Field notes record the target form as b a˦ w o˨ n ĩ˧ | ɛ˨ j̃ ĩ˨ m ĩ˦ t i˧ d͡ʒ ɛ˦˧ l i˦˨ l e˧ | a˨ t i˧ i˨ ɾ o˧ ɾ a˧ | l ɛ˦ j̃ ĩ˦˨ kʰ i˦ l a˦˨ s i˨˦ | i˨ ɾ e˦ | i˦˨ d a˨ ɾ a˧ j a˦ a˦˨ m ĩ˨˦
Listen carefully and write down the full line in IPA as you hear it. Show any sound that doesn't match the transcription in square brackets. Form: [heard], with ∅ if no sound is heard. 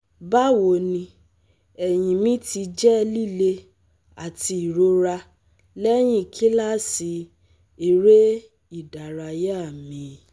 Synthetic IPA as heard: b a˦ w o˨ n ĩ˧ | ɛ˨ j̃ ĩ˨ m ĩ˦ t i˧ d͡ʒ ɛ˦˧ l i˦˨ l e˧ | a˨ t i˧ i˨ ɾ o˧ ɾ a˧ | l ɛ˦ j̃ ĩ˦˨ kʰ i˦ l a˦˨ s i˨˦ | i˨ ɾ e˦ | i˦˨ d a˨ ɾ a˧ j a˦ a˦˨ m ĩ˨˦